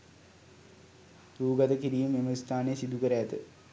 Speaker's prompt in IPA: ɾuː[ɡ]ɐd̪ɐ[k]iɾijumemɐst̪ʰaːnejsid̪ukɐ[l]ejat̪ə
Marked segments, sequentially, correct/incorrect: correct, correct, incorrect

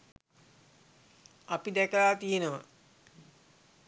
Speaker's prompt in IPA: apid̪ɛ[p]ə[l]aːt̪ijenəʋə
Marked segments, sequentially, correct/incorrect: incorrect, correct

